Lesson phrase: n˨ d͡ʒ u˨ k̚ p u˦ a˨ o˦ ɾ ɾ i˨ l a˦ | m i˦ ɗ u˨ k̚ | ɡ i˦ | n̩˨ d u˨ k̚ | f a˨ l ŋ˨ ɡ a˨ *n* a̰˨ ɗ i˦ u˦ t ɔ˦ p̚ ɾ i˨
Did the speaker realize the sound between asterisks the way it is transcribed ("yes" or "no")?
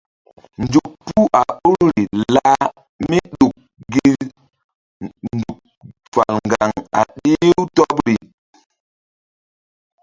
no